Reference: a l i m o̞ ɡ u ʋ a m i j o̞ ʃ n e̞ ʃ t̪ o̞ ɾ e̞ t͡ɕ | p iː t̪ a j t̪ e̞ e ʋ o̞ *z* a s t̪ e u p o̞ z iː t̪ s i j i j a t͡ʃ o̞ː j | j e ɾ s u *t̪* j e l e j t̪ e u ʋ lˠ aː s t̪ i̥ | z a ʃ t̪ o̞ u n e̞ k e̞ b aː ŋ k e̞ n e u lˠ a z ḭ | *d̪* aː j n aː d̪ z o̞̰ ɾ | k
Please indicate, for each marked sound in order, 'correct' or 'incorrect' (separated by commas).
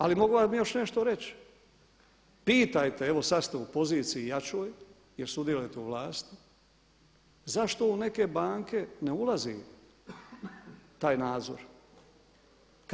incorrect, incorrect, incorrect